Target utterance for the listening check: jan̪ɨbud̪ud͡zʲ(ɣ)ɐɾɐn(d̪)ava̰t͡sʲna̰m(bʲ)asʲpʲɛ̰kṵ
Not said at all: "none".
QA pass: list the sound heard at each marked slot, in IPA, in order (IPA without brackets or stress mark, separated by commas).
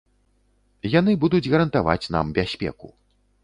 ɣ, t̪, bʲ